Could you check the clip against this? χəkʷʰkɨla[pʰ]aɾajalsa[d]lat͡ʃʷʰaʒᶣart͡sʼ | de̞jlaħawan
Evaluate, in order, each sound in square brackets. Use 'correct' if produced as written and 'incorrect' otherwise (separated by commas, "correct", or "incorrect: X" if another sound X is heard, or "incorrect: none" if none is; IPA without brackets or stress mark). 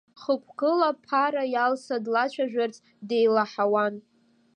correct, correct